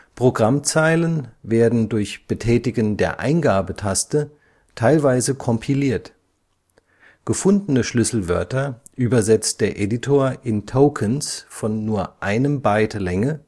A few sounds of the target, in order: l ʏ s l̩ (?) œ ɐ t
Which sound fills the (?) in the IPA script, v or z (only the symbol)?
v